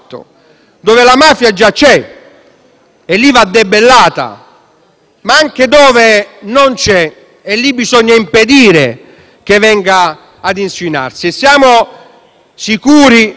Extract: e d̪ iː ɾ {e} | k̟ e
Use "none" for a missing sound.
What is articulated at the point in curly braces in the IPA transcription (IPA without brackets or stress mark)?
e